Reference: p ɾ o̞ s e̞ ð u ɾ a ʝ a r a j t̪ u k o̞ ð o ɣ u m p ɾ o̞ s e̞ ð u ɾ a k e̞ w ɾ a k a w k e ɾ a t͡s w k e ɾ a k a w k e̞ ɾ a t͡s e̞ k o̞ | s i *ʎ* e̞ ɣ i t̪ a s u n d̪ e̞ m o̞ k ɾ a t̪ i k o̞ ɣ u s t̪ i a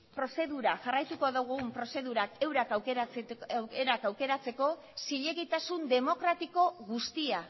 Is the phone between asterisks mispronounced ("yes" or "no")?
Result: no